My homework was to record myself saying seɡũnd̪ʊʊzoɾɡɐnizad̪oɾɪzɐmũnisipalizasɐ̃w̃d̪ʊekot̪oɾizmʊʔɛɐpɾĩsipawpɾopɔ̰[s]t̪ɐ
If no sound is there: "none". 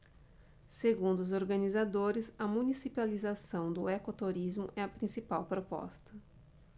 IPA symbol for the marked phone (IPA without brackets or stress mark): s